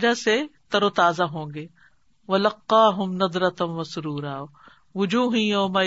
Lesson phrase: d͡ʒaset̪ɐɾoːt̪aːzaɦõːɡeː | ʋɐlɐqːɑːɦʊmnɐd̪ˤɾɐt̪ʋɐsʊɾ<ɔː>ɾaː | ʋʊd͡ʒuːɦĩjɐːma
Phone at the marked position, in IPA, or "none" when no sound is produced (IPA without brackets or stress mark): uː